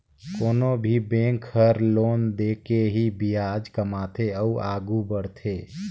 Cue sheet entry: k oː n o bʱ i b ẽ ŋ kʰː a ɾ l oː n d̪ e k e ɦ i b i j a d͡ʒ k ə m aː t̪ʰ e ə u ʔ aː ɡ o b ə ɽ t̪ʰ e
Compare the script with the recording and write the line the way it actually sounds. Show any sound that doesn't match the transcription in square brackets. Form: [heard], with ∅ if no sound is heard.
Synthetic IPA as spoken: k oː n o bʱ i b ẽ ŋ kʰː [ə] ɾ l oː n d̪ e k e ɦ i b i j a d͡ʒ k ə m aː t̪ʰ e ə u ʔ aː ɡ [u] b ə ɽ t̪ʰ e